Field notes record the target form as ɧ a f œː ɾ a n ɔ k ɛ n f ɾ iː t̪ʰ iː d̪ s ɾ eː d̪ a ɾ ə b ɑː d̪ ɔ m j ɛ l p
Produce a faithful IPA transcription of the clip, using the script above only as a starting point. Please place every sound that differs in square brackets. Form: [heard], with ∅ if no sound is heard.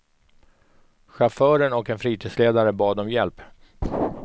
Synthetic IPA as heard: ɧ a f œː ɾ [ə] n ɔ k ɛ n f ɾ iː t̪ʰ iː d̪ s [l] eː d̪ a ɾ ə b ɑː d̪ ɔ m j ɛ l p